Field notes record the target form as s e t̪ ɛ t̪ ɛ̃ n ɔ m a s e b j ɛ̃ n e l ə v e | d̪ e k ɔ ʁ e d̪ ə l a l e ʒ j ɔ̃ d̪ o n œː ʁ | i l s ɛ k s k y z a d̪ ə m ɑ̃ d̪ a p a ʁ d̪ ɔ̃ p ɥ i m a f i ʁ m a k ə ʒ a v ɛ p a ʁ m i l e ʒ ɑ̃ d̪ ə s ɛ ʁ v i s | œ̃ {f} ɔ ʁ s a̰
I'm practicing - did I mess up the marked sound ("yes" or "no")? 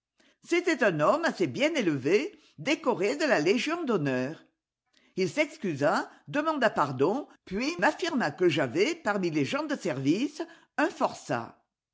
no